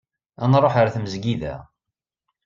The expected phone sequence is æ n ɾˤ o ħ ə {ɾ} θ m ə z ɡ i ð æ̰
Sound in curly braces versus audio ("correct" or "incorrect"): correct